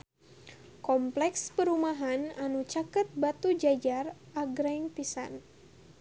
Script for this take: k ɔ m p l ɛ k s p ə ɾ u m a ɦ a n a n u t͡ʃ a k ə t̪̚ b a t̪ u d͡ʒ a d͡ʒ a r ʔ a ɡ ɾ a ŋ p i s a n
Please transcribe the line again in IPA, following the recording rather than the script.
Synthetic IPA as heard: k ɔ m p l ɛ k s p ə ɾ u m a ɦ a n a n u t͡ʃ a k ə t̪̚ b a t̪ u d͡ʒ a d͡ʒ a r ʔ a ɡ ɾ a ŋ p i s a n